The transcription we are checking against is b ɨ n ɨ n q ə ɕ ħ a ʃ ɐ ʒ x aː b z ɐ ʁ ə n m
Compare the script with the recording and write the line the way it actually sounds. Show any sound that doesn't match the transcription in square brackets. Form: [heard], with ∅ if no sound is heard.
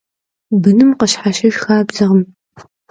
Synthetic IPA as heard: b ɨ n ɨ [m] q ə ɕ ħ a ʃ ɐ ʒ x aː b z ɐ ʁ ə [∅] m